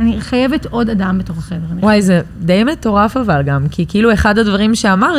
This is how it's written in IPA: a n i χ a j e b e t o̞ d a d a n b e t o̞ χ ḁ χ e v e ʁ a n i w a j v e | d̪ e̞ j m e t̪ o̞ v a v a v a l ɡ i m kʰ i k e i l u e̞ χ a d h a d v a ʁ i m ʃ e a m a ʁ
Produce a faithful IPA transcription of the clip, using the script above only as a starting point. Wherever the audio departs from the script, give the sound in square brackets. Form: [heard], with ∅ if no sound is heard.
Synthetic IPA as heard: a n i χ a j e [v] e t o̞ d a d a [m] b e t o̞ χ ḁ χ e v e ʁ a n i w a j [z] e | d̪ e̞ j m e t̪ o̞ [ʁ] a [f] a v a l ɡ [a] m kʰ i k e i l u e̞ χ a d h a d v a ʁ i m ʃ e a m a ʁ